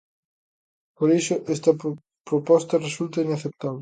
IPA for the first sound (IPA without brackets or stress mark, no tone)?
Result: p